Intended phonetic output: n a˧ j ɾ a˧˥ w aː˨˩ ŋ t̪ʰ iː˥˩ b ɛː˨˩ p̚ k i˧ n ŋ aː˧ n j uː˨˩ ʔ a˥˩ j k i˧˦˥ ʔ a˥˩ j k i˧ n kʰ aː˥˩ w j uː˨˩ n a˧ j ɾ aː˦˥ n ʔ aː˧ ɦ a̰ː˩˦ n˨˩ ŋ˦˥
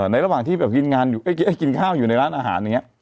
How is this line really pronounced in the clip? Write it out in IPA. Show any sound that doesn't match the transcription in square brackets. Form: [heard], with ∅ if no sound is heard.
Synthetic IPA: n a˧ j ɾ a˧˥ w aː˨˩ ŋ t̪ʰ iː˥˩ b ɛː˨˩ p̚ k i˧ n ŋ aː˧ n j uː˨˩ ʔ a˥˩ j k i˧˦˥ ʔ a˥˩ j k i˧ n kʰ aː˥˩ w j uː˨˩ n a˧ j ɾ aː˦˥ n ʔ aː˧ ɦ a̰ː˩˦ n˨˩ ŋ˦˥